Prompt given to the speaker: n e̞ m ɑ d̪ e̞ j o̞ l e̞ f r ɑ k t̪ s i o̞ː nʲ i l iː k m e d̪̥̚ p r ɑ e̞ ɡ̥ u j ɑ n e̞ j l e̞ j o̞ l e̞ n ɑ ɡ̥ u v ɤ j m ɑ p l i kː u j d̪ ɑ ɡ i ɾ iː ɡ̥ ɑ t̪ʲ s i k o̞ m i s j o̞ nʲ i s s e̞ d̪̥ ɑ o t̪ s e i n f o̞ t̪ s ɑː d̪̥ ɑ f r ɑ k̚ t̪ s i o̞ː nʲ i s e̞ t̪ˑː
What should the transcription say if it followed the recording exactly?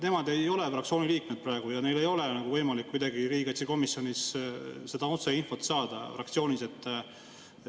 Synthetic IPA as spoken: n e̞ m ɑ d̪ e̞ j o̞ l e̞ f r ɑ k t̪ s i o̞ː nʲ i l iː k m e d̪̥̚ p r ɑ e̞ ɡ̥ u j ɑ n e̞ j l e̞ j o̞ l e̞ n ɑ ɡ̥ u v ɤ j m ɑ l i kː u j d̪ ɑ ɡ i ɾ iː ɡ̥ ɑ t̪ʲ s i k o̞ m i s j o̞ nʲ i s s e̞ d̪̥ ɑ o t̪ s e i n f o̞ t̪ s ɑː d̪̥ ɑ f r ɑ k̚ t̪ s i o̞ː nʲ i s e̞ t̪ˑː